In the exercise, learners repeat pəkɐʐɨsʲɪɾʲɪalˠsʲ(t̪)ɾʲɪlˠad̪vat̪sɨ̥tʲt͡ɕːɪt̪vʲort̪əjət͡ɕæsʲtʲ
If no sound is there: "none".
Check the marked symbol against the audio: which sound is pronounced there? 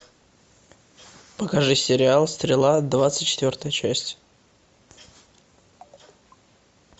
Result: t̪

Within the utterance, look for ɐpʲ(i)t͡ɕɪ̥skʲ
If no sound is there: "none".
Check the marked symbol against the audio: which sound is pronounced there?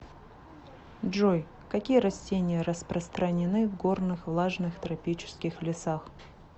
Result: i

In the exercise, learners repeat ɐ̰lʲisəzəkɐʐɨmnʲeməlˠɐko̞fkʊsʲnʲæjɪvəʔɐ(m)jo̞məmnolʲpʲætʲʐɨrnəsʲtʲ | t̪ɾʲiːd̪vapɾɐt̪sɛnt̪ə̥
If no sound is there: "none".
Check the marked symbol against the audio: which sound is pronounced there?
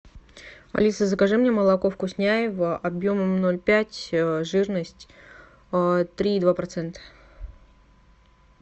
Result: b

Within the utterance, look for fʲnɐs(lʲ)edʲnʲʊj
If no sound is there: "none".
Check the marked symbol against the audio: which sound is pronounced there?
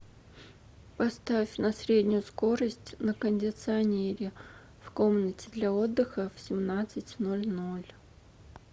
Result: ɾʲ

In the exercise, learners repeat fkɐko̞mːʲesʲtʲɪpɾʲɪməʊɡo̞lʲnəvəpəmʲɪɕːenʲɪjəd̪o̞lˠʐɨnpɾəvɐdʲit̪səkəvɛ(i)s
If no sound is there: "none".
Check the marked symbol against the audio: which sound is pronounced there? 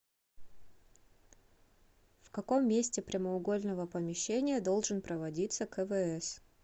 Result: ɛ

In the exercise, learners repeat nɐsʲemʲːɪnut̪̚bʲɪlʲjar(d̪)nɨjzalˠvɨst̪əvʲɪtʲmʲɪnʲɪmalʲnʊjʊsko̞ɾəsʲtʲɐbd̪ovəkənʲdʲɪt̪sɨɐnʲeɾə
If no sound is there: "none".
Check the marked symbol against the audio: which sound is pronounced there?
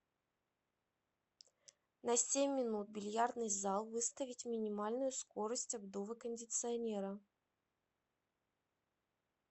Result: d̪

